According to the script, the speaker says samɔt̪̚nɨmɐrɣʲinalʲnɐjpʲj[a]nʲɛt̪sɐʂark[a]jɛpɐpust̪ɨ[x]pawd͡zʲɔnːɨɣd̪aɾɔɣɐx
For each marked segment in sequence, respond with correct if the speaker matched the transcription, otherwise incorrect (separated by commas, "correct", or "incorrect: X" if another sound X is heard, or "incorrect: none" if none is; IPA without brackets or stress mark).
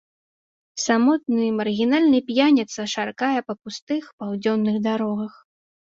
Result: correct, correct, correct